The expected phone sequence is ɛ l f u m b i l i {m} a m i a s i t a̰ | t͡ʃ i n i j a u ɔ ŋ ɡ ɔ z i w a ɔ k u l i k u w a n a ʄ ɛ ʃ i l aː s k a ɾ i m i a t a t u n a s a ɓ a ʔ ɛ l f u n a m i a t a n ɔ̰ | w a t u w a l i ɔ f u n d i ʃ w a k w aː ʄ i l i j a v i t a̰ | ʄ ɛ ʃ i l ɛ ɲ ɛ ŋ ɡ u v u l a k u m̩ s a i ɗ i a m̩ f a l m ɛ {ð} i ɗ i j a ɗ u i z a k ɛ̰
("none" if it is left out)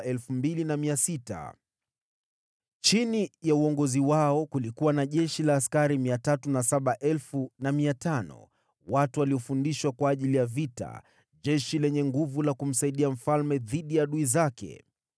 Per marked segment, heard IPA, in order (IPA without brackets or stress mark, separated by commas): n, ð